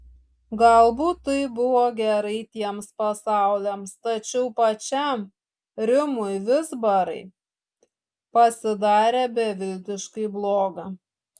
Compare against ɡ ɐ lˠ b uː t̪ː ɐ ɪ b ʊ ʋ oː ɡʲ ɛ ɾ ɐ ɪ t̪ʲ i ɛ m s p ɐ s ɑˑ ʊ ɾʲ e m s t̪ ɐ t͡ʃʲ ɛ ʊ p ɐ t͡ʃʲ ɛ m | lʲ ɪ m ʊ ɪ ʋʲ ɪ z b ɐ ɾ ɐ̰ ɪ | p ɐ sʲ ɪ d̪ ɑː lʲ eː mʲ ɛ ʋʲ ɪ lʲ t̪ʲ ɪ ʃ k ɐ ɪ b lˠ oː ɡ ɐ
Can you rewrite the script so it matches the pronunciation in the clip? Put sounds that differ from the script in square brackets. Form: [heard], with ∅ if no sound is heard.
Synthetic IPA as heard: ɡ ɐ lˠ b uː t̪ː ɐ ɪ b ʊ ʋ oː ɡʲ ɛ ɾ ɐ ɪ t̪ʲ i ɛ m s p ɐ s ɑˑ ʊ [lʲ] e m s t̪ ɐ t͡ʃʲ ɛ ʊ p ɐ t͡ʃʲ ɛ m | [ɾʲ] ɪ m ʊ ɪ ʋʲ ɪ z b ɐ ɾ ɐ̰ ɪ | p ɐ sʲ ɪ d̪ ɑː [ɾʲ] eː [bʲ] ɛ ʋʲ ɪ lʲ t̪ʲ ɪ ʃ k ɐ ɪ b lˠ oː ɡ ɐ